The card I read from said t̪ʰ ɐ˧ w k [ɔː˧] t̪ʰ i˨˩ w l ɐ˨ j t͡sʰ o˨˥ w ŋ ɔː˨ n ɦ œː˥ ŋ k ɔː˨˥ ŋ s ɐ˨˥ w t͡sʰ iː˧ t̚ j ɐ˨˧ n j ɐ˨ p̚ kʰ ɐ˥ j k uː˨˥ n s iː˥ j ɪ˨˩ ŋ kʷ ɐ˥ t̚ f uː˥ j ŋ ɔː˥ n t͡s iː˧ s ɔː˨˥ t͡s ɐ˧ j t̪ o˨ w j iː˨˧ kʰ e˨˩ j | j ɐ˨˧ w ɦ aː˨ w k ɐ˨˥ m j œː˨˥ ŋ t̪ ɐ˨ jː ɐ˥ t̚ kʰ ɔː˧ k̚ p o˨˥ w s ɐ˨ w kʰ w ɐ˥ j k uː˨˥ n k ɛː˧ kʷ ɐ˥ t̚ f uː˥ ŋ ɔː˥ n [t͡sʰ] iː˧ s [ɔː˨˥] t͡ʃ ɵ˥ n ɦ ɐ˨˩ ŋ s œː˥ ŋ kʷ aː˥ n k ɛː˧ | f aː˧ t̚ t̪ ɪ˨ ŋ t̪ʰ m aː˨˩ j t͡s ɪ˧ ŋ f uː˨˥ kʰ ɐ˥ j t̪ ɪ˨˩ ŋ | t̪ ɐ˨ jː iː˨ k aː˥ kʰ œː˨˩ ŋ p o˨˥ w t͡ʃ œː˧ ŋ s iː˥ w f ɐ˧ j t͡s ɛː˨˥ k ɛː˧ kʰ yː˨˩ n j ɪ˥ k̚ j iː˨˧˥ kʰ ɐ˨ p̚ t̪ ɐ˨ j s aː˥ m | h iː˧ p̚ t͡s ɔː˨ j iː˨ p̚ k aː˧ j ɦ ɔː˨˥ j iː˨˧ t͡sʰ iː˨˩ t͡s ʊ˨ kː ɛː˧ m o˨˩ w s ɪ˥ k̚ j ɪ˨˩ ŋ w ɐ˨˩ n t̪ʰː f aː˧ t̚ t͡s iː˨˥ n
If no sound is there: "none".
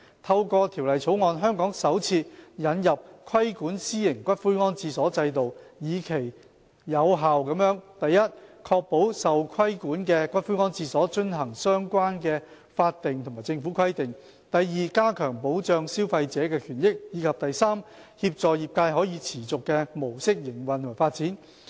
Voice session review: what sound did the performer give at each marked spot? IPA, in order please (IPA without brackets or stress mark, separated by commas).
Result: ɔː˧, t͡s, ɔː˨˥